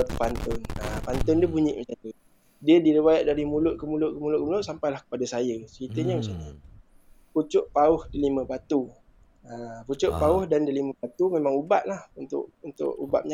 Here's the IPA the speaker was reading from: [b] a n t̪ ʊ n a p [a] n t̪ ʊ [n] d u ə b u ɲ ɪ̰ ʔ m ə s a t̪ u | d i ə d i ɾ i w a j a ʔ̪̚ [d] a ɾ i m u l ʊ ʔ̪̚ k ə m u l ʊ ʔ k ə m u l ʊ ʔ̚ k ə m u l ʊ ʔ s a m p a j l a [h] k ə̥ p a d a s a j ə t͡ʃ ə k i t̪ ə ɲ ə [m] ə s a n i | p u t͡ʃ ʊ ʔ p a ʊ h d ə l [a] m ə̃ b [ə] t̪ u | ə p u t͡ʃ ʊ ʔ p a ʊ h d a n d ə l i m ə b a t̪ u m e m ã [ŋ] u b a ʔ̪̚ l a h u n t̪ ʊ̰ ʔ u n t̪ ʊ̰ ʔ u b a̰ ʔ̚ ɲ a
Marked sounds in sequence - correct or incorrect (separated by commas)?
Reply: incorrect, correct, correct, correct, correct, correct, incorrect, incorrect, correct